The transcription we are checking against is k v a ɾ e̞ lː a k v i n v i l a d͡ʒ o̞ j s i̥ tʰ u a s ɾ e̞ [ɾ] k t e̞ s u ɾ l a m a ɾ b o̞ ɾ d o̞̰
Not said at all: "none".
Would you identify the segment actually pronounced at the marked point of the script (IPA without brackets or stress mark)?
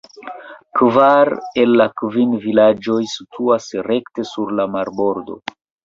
none